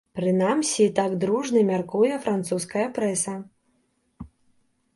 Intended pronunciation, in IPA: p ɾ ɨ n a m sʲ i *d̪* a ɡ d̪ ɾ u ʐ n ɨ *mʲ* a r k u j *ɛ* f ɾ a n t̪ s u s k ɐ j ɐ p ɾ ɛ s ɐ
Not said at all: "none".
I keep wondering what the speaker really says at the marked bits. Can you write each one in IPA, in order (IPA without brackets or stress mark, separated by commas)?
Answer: t̪, mʲ, ɛ